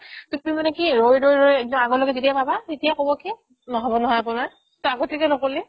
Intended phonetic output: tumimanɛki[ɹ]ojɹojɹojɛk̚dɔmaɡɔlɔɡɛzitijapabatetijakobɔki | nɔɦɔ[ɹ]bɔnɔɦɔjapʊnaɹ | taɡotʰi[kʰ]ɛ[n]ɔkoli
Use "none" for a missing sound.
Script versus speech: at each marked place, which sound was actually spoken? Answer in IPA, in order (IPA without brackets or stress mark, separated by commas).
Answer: ɹ, none, k, n